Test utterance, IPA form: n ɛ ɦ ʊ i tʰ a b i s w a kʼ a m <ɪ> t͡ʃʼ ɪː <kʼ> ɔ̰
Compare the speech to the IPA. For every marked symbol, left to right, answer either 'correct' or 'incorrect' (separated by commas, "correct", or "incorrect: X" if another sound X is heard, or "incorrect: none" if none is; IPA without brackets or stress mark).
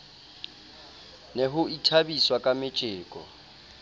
correct, correct